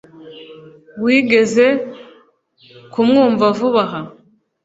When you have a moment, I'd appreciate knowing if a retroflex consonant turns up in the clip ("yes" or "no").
no